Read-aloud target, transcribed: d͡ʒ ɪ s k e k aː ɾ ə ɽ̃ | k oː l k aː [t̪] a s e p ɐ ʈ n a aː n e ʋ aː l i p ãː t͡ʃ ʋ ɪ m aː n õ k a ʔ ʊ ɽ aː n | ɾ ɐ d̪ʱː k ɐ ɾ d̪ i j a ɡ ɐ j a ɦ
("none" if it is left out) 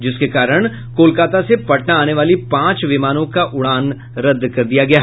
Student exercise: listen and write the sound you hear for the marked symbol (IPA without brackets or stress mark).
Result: t̪